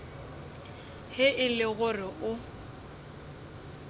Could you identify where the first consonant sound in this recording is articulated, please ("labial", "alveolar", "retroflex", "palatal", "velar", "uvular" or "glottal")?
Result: glottal